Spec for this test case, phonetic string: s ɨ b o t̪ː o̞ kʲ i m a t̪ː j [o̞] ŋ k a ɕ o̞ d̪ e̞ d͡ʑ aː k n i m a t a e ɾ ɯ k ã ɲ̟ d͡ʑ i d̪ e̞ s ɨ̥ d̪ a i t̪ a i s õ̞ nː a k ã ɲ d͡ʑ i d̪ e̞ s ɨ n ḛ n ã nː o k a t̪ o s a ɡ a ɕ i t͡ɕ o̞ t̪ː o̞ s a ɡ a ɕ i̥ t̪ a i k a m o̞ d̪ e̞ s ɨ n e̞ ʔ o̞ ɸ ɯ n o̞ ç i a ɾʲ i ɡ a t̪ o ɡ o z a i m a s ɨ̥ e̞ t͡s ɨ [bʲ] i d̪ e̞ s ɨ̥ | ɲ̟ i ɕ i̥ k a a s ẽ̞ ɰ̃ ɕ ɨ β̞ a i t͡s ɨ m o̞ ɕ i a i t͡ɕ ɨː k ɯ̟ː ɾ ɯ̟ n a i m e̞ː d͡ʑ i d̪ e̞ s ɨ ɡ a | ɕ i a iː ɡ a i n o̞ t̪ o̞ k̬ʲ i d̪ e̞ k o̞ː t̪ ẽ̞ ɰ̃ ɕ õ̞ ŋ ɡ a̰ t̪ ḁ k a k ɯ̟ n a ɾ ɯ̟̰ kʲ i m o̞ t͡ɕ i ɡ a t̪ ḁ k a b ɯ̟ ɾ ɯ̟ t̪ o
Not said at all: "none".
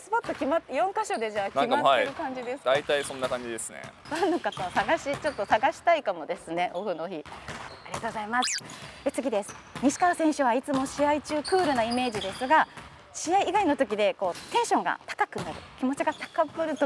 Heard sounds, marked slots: õ̞, ɡʲ

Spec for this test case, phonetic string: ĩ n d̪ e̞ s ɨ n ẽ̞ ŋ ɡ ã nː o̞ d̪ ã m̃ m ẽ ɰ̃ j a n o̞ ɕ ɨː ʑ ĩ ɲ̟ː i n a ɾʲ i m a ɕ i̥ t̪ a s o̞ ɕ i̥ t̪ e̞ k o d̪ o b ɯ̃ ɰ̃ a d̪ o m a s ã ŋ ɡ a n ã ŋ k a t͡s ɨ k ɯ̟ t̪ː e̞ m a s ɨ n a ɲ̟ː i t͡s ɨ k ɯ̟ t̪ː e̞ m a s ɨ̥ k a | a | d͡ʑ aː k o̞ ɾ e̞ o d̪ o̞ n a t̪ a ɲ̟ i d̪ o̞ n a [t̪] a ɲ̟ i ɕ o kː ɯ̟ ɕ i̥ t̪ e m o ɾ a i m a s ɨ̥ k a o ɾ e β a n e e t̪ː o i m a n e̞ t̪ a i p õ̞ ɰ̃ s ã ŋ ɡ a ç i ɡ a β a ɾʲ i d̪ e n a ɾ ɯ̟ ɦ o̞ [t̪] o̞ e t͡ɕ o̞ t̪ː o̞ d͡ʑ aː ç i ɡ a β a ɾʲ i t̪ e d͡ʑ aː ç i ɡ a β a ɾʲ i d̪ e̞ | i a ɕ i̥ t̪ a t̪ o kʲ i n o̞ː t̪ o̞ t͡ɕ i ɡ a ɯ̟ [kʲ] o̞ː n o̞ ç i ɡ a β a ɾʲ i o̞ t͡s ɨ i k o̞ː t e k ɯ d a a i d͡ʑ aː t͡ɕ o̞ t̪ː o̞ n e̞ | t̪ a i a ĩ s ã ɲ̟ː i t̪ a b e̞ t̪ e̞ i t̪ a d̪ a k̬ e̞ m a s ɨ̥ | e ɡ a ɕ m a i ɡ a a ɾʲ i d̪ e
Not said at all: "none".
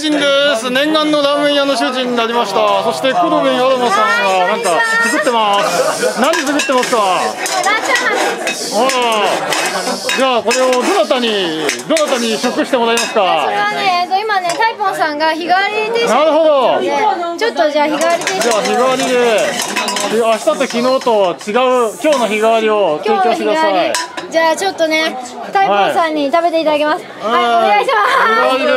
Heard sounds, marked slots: t̪, d̪, kʲ

